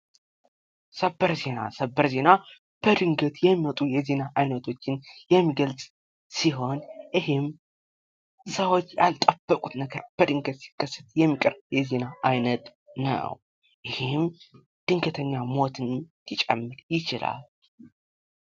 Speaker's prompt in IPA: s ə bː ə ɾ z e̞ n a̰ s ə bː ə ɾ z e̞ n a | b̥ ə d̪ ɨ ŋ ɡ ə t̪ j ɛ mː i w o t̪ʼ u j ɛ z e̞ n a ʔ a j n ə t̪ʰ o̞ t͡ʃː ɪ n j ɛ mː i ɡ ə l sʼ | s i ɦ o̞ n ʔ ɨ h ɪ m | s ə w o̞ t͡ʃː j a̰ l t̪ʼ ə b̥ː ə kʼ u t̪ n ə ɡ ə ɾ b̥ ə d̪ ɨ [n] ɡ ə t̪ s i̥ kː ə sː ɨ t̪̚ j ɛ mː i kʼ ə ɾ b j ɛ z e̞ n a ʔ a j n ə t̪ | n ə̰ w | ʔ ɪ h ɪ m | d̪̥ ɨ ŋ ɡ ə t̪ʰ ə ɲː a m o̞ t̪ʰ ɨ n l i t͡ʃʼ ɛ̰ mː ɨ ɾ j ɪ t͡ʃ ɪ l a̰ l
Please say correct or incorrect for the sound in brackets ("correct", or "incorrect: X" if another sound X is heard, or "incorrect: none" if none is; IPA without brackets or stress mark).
incorrect: ŋ